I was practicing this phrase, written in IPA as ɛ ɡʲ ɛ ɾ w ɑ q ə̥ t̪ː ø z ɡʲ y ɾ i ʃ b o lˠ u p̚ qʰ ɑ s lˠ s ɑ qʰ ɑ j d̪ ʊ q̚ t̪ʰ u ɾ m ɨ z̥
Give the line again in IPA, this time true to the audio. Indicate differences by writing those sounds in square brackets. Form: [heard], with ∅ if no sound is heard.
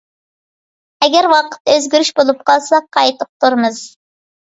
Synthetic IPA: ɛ ɡʲ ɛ ɾ w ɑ q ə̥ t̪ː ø z ɡʲ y ɾ [y] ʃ b o lˠ u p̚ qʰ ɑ [∅] lˠ s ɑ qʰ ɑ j [t̪] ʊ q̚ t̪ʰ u ɾ m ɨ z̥